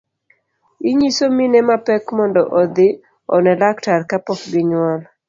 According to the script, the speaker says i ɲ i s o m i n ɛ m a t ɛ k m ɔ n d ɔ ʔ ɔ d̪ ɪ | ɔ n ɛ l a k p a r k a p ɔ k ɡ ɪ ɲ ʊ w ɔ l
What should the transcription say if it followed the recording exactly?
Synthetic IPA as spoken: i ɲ i s o m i n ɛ m a p ɛ k m ɔ n d ɔ ʔ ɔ d̪ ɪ | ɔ n ɛ l a k t a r k a p ɔ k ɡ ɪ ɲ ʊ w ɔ l